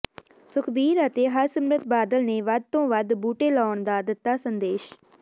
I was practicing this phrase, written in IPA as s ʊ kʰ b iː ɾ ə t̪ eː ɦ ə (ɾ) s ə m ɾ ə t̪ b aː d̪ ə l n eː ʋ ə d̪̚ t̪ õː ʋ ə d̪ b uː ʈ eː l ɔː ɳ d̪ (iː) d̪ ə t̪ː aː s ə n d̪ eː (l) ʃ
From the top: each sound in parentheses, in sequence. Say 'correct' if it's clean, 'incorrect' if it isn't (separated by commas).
correct, incorrect, incorrect